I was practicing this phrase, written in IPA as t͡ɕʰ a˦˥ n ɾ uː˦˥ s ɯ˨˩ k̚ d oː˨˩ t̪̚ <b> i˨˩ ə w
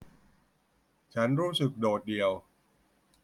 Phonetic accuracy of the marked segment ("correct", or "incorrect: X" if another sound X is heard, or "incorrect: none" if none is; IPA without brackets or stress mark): incorrect: d